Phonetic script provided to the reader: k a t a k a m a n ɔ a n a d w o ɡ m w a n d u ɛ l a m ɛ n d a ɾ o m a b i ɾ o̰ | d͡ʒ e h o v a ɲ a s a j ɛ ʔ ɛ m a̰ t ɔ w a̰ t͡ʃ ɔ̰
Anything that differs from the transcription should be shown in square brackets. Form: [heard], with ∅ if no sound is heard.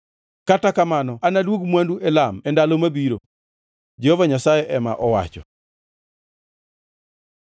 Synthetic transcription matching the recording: k a t a k a m a n ɔ a n a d w o ɡ m w a n d u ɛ l a m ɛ n d a [l] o m a b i ɾ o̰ | d͡ʒ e h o v a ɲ a s a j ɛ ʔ ɛ m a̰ [ʔ] ɔ w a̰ t͡ʃ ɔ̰